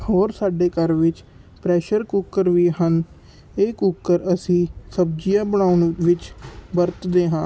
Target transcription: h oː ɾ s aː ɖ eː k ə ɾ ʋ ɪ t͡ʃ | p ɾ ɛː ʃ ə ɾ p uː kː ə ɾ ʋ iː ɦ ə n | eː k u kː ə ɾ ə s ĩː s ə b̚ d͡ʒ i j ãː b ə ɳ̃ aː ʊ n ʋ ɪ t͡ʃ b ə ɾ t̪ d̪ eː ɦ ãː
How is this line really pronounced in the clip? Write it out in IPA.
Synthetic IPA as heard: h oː ɾ s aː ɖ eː k ə ɾ ʋ ɪ t͡ʃ | p ɾ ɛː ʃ ə ɾ k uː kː ə ɾ ʋ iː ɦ ə n | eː k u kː ə ɾ ə s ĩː s ə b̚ d͡ʒ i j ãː b ə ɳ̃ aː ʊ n ʋ ɪ t͡ʃ b ə ɾ t̪ d̪ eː ɦ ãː